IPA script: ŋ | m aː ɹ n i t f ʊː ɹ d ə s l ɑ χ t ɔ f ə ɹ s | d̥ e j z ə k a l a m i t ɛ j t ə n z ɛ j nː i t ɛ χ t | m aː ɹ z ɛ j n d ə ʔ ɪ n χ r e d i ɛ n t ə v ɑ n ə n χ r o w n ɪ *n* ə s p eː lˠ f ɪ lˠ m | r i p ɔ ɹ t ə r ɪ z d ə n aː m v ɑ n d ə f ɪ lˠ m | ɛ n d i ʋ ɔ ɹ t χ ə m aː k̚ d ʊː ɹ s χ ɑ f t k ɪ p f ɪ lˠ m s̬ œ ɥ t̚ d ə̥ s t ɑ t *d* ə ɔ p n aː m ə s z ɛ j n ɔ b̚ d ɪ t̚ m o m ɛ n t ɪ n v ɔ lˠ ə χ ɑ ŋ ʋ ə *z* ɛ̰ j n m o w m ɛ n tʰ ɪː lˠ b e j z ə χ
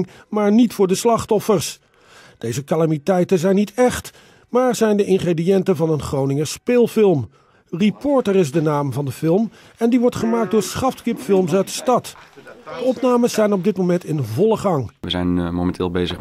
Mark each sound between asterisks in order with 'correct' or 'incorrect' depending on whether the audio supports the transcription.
incorrect: ŋ, correct, correct

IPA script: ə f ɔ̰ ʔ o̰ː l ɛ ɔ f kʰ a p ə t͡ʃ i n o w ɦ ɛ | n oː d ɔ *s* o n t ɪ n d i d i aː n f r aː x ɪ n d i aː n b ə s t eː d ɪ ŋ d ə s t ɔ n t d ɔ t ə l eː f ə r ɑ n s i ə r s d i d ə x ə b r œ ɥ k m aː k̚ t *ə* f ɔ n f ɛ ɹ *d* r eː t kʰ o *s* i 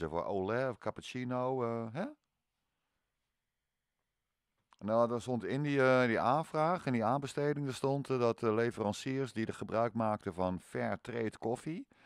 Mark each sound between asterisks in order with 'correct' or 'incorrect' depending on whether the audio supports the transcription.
correct, correct, incorrect: t, incorrect: f

